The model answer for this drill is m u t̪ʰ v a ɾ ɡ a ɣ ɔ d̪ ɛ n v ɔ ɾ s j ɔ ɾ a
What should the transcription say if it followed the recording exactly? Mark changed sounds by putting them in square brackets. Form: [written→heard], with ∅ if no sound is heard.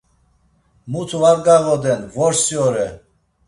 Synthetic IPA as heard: m u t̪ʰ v a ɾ ɡ a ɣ ɔ d̪ ɛ n v ɔ ɾ s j ɔ ɾ [a→ɛ]